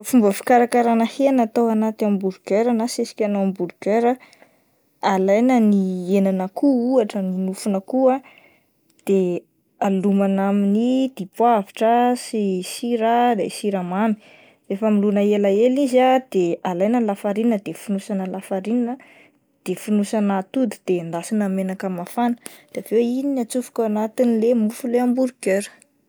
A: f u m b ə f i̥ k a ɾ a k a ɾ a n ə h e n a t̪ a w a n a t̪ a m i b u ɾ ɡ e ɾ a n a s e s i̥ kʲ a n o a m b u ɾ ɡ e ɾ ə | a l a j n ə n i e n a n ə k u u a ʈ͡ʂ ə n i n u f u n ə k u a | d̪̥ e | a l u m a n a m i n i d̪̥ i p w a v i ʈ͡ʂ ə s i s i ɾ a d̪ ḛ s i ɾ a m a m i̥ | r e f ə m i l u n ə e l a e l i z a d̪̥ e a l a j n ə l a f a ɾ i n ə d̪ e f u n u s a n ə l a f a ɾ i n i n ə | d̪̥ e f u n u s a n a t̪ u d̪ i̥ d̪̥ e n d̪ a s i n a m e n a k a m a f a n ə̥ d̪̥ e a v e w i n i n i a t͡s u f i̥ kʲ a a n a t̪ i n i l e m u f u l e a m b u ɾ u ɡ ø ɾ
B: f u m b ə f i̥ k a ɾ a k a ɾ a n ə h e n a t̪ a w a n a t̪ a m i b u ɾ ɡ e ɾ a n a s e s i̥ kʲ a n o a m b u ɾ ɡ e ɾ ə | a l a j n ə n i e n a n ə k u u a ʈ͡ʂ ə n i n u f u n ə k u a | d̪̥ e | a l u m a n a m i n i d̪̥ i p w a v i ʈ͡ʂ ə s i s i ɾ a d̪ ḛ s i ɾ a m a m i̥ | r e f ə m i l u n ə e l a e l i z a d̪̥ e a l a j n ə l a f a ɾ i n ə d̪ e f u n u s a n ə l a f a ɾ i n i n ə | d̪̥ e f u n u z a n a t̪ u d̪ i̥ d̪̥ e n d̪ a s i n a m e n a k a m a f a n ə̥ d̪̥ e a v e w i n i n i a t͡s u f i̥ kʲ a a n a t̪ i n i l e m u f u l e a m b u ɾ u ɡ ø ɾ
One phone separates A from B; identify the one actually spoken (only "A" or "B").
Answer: A